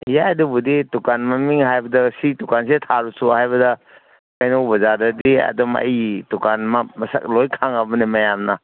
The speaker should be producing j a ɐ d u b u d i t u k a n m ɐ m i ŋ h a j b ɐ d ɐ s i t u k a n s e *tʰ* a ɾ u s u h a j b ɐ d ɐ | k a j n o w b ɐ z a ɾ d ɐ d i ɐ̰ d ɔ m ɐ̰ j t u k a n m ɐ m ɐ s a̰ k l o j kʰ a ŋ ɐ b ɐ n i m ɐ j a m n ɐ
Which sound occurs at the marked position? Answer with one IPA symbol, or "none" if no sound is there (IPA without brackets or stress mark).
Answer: tʰ